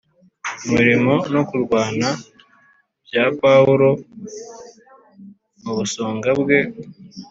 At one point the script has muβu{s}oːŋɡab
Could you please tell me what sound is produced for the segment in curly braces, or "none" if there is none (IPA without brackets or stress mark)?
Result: s